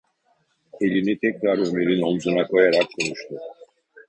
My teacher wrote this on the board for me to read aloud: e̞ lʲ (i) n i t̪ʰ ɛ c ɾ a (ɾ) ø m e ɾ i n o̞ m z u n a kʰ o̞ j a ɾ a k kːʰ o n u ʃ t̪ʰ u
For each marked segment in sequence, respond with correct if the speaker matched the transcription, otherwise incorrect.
correct, correct

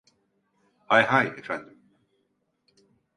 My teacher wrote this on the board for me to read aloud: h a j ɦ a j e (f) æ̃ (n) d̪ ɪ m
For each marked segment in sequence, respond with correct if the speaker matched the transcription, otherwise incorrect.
correct, correct

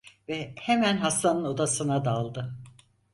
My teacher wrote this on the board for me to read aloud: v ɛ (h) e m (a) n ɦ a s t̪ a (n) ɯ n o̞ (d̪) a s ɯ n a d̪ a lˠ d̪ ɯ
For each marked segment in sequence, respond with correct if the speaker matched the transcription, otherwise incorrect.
correct, incorrect, correct, correct

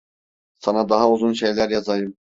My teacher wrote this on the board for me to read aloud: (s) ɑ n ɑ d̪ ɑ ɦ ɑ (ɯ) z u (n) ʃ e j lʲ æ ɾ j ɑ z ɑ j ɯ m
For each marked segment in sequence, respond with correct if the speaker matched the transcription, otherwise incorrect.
correct, incorrect, correct

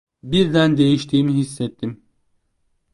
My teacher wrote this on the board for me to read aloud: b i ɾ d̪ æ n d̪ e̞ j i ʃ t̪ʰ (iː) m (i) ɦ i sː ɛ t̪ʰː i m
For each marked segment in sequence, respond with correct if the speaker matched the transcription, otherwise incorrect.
correct, correct

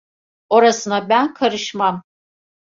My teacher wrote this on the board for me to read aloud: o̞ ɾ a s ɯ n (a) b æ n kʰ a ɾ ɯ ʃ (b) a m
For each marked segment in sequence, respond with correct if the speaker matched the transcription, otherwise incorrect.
correct, incorrect

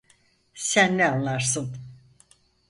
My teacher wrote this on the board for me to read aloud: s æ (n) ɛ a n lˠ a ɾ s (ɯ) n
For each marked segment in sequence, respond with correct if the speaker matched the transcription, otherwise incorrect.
incorrect, correct

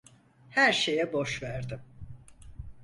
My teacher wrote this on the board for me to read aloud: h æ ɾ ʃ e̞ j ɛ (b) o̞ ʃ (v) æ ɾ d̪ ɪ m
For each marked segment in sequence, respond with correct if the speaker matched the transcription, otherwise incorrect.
correct, correct

